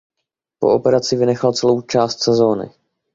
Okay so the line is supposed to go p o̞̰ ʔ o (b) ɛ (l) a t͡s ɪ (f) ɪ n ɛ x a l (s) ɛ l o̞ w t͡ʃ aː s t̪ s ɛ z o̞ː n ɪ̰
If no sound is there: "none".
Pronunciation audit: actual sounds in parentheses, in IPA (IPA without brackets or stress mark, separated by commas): p, ɾ, v, t͡s